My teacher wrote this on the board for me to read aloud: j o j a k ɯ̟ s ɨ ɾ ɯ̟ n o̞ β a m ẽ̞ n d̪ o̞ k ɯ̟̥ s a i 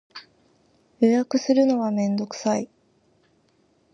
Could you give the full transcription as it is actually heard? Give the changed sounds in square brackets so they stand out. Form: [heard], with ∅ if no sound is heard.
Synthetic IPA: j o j a k ɯ̟ s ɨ ɾ ɯ̟ n o̞ β a m ẽ̞ n d̪ o̞ k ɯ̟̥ s a i